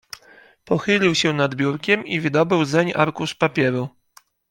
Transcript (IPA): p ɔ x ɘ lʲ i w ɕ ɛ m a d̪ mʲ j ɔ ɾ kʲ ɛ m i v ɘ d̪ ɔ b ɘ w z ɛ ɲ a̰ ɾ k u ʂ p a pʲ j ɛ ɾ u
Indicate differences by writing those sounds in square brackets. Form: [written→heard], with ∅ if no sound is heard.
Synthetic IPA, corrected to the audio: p ɔ x ɘ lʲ i w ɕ ɛ [m→n] a d̪ [mʲ→bʲ] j [ɔ→u] ɾ kʲ ɛ m i v ɘ d̪ ɔ b ɘ w z ɛ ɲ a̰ ɾ k u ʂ p a pʲ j ɛ ɾ u